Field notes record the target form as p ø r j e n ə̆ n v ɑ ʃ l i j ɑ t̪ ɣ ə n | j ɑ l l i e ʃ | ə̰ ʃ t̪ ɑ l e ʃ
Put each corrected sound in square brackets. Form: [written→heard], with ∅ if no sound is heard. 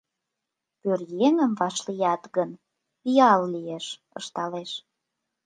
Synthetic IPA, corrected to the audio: p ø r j e [n→ŋ] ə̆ [n→m] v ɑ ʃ l i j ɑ t̪ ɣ ə n | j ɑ l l i e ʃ | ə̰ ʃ t̪ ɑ l e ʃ